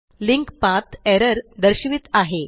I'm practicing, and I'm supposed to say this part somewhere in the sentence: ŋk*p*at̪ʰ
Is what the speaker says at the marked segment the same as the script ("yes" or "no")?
yes